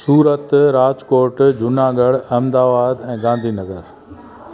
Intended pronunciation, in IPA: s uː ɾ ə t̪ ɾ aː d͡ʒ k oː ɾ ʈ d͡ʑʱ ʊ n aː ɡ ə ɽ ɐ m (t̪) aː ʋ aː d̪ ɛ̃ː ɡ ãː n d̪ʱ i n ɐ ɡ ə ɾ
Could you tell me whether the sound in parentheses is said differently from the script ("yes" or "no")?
yes